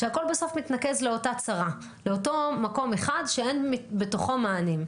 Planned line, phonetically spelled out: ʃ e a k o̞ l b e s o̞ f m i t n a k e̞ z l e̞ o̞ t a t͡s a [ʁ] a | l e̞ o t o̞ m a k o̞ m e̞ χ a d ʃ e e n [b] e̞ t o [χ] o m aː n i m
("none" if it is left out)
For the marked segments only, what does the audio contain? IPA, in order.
ʁ, b, χ

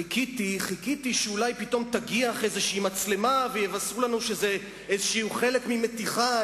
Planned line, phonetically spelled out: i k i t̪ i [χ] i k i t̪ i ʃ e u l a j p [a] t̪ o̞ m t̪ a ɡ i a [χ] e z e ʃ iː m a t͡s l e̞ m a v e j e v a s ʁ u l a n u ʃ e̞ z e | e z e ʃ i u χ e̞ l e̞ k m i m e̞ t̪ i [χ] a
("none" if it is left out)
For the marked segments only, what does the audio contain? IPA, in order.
χ, i, χ, χ

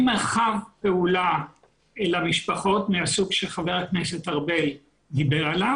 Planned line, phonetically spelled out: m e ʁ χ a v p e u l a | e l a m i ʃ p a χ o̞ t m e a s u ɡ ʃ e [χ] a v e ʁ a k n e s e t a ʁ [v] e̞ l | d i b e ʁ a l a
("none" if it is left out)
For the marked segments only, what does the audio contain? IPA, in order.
χ, b

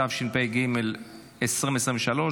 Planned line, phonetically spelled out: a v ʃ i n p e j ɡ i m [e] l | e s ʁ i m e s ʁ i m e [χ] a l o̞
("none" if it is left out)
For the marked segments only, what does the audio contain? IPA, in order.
e, ʃ

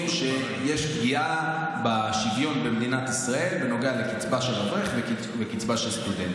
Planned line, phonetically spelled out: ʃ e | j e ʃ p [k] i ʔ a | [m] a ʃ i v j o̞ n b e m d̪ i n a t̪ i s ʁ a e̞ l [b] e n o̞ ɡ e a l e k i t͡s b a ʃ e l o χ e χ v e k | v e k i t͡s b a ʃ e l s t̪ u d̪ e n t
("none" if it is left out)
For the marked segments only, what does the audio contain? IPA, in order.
ɡ, b, v

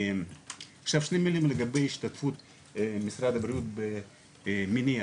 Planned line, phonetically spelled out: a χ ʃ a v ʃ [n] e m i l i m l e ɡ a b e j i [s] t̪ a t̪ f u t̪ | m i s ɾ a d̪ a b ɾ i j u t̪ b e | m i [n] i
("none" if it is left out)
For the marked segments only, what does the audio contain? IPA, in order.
n, ʃ, n

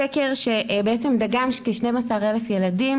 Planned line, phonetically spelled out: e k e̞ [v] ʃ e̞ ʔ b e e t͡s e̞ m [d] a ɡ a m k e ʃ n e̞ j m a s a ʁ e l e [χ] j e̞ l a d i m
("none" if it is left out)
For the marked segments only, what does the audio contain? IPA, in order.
ʁ, d, f

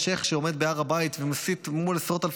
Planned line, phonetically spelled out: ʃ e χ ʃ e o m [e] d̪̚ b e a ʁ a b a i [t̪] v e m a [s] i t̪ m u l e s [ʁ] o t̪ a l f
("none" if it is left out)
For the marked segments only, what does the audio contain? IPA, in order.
e, t̪, s, ʁ

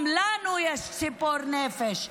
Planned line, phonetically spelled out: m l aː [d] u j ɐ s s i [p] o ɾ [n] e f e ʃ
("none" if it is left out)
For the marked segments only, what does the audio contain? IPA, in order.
n, p, n

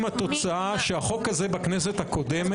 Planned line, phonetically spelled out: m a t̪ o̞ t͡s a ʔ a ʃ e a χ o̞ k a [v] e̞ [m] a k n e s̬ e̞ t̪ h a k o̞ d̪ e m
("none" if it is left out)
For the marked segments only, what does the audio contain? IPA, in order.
z, b

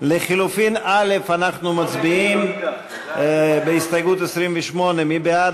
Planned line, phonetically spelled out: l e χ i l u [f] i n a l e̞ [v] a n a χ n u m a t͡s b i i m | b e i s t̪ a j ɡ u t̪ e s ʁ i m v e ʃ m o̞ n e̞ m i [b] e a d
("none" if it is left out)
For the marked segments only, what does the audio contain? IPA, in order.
f, f, b

